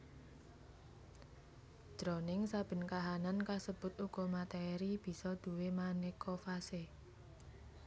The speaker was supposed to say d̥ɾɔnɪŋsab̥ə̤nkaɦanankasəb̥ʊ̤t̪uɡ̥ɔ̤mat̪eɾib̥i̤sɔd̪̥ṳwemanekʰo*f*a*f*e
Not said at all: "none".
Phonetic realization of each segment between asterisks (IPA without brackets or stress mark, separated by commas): f, s